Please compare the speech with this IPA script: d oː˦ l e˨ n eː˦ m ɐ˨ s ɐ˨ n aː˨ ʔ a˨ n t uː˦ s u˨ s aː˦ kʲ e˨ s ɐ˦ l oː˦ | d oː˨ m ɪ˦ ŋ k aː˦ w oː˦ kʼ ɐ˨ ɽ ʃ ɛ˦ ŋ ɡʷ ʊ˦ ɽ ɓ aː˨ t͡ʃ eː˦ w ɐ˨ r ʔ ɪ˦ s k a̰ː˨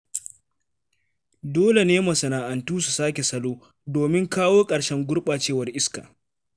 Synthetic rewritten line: d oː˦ l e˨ n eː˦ m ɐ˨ s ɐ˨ n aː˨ ʔ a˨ n t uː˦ s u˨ s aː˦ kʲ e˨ s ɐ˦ l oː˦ | d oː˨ m ɪ˦ ŋ k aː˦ w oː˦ kʼ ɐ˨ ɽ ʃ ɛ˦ ŋ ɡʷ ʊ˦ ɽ ɓ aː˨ t͡ʃ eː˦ w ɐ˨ r ʔ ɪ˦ s k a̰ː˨